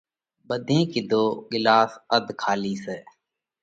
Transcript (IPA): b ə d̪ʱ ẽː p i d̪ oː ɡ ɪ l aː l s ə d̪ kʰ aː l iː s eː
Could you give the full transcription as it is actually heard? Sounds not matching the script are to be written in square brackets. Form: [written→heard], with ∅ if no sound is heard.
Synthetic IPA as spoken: b ə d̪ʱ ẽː [p→k] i d̪ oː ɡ ɪ l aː [l→∅] s ə d̪ kʰ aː l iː s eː